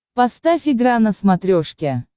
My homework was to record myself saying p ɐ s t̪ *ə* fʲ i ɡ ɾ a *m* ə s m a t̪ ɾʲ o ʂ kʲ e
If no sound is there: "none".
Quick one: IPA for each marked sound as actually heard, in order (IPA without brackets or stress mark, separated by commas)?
a, n